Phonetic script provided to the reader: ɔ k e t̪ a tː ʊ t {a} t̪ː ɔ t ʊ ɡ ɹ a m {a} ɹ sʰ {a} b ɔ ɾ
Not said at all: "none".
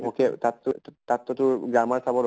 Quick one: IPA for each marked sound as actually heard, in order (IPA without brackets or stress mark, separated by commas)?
a, a, a